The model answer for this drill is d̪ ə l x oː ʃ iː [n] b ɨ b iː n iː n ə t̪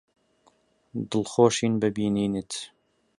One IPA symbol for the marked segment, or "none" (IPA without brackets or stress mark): n